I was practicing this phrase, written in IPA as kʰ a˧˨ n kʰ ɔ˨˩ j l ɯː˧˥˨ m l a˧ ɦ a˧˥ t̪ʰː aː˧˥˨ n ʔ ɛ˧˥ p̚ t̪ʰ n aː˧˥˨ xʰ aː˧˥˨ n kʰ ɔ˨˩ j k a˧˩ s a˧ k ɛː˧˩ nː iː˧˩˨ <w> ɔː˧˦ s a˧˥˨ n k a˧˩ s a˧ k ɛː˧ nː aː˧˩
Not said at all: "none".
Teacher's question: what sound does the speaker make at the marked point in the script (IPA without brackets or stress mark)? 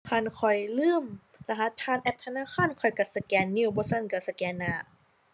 b